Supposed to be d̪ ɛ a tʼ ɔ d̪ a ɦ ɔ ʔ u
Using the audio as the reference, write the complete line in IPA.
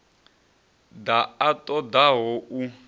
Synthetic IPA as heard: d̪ a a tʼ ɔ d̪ a ɦ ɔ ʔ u